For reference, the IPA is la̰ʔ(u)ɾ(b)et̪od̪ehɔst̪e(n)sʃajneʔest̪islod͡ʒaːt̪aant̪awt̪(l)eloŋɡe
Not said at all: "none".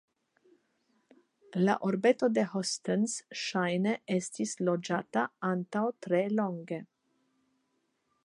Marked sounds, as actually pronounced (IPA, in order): o, b, n, ɾ

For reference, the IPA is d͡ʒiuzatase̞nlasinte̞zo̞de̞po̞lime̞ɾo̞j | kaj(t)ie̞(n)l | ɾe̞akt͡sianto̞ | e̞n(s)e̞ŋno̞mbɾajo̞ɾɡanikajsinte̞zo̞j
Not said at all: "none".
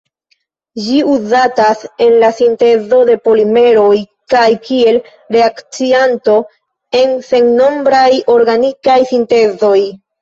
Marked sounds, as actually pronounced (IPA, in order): k, none, s

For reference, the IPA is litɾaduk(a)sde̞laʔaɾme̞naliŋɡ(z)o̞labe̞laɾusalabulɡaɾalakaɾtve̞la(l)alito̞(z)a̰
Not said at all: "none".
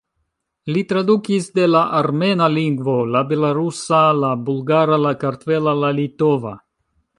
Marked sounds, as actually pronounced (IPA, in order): i, v, l, v

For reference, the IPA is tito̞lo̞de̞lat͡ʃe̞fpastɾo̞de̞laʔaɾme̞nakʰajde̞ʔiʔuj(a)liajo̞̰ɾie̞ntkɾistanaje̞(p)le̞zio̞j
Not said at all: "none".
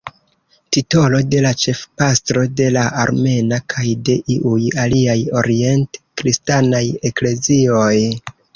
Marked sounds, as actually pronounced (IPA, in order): a, k

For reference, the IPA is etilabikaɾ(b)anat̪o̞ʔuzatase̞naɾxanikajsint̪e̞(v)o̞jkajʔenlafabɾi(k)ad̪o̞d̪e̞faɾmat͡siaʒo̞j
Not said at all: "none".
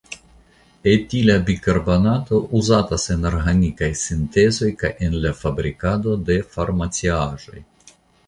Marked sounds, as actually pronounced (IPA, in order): b, z, k

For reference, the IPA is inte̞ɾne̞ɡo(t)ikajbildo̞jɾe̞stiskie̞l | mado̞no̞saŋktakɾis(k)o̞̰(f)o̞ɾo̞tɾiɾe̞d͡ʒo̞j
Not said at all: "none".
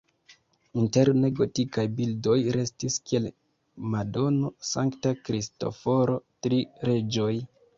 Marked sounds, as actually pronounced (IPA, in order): t, t, f

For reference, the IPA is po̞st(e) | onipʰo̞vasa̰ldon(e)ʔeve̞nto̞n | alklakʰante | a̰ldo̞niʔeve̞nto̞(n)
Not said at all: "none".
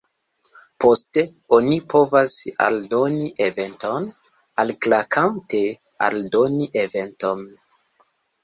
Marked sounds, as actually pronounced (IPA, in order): e, i, n

